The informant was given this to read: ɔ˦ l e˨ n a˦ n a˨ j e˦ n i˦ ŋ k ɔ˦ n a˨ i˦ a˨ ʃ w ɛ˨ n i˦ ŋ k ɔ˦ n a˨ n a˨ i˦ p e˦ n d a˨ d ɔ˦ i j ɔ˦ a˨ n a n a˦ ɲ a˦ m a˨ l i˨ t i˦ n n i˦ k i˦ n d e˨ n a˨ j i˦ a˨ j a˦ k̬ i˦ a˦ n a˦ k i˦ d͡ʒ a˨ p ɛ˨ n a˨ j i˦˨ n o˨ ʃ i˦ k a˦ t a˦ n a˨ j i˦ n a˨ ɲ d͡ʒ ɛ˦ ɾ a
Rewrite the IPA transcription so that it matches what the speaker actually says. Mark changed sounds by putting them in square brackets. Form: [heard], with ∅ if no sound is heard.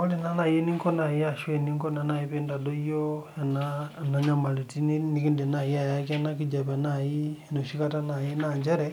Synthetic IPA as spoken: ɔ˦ l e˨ n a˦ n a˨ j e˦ n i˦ ŋ k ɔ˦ n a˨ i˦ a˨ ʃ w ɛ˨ n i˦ ŋ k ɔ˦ n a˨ n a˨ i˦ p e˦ n d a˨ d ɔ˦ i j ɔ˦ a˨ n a n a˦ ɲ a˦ m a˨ l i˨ t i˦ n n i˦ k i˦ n d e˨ n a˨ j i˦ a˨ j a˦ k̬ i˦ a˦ n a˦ k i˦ d͡ʒ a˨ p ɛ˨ n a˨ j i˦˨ n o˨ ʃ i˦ k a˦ t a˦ n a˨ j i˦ n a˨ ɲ d͡ʒ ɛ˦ ɾ [ɛ]